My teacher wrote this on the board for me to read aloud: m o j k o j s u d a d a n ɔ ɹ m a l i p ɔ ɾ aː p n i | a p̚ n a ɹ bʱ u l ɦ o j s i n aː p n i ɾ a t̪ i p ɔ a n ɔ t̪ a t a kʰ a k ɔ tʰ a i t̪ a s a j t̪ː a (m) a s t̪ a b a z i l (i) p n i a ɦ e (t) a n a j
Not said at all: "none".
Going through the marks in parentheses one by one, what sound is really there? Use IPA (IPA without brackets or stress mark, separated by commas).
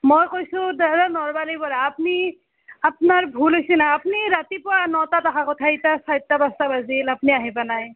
b, a, p